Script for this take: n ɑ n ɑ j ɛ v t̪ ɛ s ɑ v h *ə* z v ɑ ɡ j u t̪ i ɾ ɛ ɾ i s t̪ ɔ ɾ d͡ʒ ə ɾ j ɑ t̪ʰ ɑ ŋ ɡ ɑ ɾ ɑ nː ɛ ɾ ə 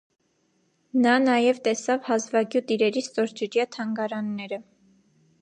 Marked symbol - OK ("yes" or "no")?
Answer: no